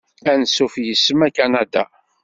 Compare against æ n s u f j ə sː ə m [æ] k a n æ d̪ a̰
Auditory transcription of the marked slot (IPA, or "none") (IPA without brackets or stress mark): æ